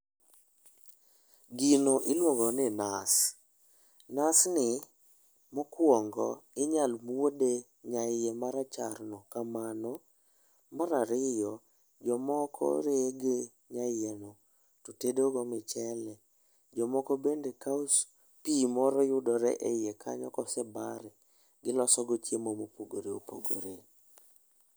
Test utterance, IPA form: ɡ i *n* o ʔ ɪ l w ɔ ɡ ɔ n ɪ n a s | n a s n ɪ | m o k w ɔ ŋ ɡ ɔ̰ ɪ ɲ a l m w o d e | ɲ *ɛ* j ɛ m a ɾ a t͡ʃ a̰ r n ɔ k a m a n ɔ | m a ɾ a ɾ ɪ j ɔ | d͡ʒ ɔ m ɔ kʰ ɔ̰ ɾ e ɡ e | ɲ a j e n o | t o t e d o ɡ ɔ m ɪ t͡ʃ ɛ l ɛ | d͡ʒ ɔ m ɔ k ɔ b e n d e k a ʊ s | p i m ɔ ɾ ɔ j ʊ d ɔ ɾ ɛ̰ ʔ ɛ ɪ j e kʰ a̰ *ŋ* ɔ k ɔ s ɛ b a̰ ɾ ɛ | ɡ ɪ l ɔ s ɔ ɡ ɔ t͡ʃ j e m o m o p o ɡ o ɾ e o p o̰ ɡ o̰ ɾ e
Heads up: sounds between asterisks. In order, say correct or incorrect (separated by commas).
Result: correct, incorrect, incorrect